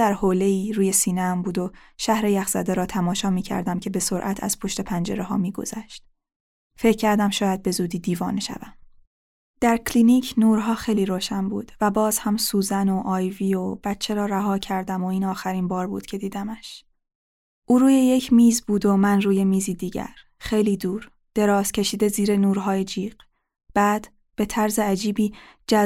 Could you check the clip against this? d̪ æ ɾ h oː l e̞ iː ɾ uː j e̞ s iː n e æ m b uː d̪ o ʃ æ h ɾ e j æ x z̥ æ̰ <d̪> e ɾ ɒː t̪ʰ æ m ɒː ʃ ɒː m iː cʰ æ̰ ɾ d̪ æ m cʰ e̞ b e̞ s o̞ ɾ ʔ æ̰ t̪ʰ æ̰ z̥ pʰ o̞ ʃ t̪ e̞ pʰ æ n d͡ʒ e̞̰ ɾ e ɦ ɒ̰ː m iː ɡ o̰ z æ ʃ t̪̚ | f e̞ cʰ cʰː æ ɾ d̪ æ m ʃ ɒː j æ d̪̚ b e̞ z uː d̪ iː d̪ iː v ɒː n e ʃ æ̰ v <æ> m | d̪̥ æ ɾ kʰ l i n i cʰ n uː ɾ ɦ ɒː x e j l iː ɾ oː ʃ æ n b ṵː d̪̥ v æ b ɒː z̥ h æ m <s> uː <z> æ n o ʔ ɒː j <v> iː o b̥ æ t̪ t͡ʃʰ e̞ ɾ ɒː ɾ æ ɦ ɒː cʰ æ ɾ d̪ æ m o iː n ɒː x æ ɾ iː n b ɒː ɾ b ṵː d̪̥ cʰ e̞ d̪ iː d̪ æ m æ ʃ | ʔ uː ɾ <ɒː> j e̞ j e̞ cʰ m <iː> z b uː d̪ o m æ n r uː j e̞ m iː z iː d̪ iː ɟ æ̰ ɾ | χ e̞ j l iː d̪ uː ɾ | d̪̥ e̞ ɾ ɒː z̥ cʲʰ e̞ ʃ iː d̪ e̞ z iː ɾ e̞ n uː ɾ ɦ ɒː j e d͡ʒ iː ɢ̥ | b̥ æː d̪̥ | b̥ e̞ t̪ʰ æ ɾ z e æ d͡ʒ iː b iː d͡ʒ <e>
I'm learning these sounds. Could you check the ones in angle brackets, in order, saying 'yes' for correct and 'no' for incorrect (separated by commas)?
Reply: yes, yes, yes, yes, yes, no, yes, no